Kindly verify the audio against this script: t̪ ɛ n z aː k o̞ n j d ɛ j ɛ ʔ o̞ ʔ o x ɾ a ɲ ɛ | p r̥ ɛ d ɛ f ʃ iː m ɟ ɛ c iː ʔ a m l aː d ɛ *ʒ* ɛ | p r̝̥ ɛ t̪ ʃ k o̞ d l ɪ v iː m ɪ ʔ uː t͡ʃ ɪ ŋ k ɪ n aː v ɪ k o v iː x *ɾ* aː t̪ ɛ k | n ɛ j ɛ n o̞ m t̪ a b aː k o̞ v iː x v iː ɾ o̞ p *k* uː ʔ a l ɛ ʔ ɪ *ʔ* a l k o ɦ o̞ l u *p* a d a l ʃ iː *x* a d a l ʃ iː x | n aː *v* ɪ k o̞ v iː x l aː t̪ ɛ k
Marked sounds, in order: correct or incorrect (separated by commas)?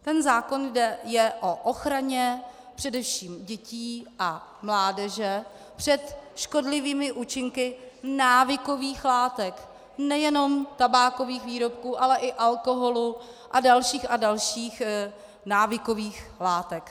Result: correct, incorrect, correct, correct, incorrect, correct, correct